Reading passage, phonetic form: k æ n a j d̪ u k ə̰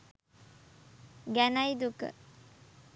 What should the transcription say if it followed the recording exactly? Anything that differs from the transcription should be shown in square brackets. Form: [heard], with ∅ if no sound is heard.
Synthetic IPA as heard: [ɡ] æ n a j d̪ u k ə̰